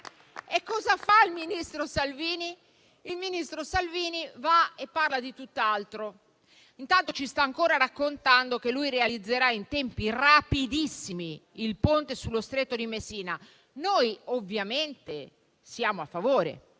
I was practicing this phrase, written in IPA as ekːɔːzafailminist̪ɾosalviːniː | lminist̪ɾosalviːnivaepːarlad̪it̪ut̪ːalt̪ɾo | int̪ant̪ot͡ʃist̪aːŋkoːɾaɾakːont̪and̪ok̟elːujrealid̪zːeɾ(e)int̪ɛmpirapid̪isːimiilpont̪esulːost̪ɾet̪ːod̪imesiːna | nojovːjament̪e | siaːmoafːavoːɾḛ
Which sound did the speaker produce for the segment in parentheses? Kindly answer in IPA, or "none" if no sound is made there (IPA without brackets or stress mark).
a